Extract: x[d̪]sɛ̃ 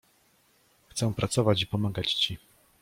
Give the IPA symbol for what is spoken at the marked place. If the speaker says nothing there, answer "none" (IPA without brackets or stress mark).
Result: t̪